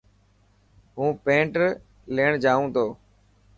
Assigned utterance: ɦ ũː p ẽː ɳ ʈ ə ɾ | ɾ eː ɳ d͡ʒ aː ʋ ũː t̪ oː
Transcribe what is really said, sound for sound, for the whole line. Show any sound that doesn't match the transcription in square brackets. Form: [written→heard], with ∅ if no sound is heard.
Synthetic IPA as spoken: ɦ ũː p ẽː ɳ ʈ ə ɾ | [ɾ→l] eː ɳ d͡ʒ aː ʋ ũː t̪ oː